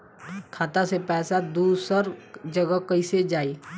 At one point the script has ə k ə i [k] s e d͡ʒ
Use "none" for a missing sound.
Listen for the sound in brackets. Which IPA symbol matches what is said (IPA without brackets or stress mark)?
none